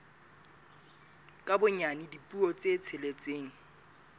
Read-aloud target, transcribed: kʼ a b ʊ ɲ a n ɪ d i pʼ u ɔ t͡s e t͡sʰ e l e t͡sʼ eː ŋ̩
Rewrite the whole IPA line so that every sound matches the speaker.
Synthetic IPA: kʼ a b ʊ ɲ a n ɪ d i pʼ u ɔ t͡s e t͡sʰ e l e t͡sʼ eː ŋ̩